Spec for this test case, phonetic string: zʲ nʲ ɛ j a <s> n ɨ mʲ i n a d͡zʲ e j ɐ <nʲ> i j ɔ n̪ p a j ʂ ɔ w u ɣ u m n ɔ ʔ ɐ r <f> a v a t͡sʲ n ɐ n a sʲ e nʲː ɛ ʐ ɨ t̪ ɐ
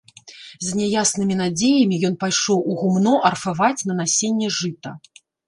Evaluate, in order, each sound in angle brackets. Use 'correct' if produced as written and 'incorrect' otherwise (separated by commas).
correct, incorrect, correct